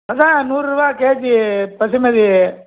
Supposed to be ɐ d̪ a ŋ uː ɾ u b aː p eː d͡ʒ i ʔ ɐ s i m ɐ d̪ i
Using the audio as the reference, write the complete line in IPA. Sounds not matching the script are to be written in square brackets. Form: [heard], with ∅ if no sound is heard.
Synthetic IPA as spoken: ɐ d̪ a [n] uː ɾ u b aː [k] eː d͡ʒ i [p] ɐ s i m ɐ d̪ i